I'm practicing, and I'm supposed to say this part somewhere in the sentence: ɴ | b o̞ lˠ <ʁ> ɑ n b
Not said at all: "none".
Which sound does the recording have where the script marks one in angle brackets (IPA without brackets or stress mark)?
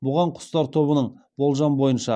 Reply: ʒ